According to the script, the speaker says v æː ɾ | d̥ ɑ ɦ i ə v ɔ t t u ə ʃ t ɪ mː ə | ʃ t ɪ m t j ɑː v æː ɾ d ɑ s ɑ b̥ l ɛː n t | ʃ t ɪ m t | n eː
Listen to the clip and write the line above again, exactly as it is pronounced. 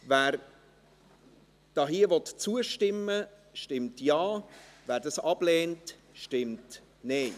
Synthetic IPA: v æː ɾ | d̥ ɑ ɦ i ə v ɔ t t͡s u ə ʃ t ɪ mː ə | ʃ t ɪ m t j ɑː v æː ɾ d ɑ s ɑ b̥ l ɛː n t | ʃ t ɪ m t | n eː